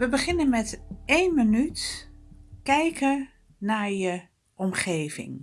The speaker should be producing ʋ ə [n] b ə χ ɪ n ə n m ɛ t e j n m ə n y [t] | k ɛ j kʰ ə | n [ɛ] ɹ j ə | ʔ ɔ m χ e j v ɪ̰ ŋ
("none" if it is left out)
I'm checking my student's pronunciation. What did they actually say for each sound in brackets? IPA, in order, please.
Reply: none, t, a

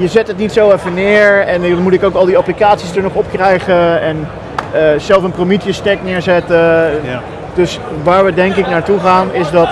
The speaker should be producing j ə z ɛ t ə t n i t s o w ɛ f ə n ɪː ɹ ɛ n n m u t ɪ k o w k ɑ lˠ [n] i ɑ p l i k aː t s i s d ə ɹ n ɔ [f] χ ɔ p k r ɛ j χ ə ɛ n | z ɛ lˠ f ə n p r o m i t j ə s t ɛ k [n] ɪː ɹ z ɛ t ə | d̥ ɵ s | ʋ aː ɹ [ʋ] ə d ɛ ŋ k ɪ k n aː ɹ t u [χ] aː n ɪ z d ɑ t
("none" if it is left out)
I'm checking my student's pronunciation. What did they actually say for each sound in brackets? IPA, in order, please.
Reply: d, none, n, ʋ, χ

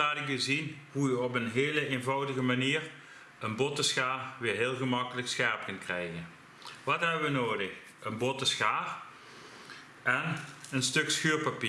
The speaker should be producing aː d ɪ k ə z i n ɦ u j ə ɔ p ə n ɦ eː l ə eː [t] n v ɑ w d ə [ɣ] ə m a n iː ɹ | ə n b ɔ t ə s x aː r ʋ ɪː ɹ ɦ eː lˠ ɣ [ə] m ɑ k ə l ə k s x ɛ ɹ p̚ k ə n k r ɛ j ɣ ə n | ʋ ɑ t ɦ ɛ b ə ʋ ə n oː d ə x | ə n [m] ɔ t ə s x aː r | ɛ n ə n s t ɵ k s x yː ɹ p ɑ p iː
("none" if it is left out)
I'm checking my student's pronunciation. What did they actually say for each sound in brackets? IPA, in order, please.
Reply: none, ɣ, ə, b

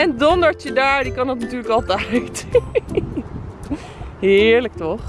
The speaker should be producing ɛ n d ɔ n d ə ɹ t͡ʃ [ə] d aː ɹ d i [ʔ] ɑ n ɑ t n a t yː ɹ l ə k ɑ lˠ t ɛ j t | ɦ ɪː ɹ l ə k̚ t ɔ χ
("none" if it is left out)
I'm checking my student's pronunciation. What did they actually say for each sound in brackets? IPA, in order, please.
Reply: ə, k

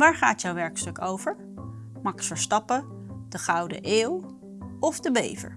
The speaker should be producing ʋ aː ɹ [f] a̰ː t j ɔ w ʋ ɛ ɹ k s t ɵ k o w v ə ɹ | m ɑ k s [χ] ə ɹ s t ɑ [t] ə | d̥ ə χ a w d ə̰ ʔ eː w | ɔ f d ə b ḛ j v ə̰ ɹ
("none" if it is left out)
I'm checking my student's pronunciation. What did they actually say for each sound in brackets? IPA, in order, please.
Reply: χ, f, p

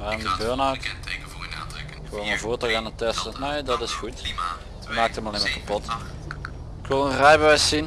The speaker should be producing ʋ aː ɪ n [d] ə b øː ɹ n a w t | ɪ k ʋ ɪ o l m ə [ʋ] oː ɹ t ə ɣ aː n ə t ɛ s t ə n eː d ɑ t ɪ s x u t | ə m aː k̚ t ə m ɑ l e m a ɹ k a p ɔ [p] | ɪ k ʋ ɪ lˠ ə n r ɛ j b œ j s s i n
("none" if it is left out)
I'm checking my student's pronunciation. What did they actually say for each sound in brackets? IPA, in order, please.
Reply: d, v, t

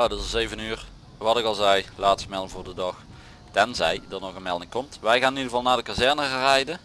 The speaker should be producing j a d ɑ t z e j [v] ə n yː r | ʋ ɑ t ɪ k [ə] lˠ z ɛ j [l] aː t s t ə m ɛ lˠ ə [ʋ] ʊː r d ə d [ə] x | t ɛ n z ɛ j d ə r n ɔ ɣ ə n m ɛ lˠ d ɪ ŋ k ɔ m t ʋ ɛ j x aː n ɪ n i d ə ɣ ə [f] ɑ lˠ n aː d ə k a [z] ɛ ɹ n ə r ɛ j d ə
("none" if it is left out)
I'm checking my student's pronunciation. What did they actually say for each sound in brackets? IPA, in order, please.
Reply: v, ɑ, l, v, ɑ, v, z

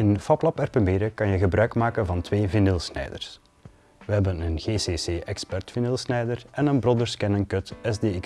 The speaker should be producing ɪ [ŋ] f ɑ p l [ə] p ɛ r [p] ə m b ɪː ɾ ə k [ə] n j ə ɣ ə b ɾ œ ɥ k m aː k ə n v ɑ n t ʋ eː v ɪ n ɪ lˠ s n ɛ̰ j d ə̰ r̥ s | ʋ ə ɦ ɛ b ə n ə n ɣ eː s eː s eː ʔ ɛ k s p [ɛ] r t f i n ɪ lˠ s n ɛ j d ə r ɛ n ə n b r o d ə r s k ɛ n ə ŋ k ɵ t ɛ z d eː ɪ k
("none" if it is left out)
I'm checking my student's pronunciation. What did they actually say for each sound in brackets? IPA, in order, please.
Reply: n, ɑ, p, ɑ, ɛ

